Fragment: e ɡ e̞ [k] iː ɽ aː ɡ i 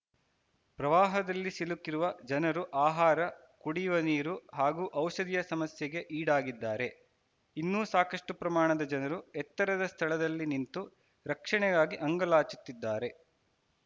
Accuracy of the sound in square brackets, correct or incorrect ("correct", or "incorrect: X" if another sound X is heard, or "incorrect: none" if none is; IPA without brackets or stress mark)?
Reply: incorrect: ʔ